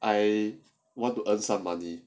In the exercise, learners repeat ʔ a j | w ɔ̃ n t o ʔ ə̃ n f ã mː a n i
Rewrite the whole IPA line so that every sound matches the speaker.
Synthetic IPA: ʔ a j | w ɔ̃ n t u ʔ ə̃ n s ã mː a n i